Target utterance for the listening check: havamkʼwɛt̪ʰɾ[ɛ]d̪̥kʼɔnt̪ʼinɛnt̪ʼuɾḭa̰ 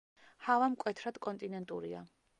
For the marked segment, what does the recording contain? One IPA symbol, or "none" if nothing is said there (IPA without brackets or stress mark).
a